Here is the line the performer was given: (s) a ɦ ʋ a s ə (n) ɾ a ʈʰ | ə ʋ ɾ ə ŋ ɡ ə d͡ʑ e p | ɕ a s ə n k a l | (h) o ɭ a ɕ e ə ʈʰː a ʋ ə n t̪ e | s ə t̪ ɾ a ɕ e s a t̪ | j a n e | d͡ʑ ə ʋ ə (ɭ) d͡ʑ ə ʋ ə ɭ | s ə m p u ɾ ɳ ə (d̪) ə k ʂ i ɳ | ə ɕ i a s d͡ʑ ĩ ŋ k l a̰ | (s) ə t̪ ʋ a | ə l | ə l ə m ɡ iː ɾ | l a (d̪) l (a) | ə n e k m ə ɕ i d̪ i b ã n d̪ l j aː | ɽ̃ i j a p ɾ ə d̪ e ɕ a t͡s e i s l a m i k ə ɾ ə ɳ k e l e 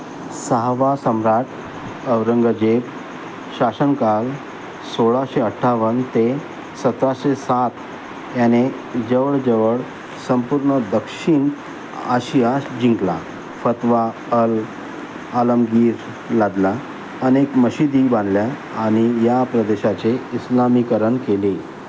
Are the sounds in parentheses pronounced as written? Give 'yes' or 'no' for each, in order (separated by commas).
yes, no, no, yes, yes, no, yes, yes